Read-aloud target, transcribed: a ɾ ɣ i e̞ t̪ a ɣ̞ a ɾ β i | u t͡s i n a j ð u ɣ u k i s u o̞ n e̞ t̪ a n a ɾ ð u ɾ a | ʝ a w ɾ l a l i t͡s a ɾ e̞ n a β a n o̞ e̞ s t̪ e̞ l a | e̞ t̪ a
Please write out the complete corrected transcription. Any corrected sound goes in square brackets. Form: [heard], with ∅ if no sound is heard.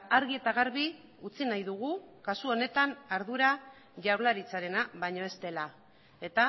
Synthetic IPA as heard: a ɾ ɣ i e̞ t̪ a ɣ̞ a ɾ β i | u t͡s i n a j ð u ɣ u k [a] s u o̞ n e̞ t̪ a n a ɾ ð u ɾ a | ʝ a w ɾ l a [ɾ] i t͡s a ɾ e̞ n a β a [ɲ] o̞ e̞ s t̪ e̞ l a | e̞ t̪ a